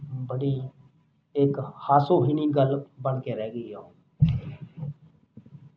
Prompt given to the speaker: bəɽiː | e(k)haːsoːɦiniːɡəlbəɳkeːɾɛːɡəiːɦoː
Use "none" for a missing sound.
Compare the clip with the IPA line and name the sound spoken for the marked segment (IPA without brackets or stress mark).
k